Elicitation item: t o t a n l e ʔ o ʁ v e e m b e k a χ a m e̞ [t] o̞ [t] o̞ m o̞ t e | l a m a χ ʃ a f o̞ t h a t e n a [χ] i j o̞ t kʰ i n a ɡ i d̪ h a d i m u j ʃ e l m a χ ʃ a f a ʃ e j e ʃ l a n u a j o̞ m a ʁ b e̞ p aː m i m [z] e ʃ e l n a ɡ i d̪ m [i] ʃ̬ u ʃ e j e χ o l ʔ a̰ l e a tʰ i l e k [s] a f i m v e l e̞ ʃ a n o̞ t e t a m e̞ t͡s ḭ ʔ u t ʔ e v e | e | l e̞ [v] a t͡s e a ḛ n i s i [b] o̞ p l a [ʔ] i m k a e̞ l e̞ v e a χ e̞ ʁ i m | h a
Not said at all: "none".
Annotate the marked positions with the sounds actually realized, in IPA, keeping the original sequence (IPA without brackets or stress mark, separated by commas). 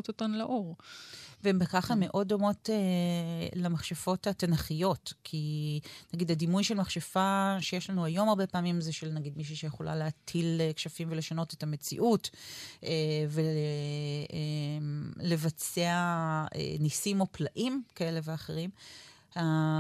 ʔ, d, χ, z, i, ʃ, v, m, ʔ